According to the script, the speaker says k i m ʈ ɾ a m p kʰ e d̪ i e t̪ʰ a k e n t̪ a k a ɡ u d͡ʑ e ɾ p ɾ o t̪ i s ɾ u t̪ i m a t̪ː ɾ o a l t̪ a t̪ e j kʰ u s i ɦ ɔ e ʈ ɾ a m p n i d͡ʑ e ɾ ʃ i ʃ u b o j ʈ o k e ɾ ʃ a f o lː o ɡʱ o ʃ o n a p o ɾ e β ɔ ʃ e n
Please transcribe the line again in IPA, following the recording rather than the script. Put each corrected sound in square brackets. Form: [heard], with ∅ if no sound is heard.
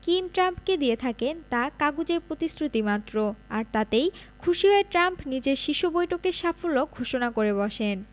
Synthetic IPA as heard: k i m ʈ ɾ a m p [k] e d̪ i e t̪ʰ a k e n t̪ a k a ɡ u d͡ʑ e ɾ p ɾ o t̪ i s ɾ u t̪ i m a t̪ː ɾ o a [ɾ] t̪ a t̪ e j kʰ u [ʃ] i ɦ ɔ e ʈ ɾ a m p n i d͡ʑ e ɾ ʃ i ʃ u b o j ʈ o k e ɾ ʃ a f o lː o ɡʱ o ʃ o n a [k] o ɾ e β ɔ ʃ e n